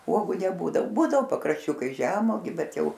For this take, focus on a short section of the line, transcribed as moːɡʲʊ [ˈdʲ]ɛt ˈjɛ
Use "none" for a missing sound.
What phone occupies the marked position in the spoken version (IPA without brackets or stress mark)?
bʲ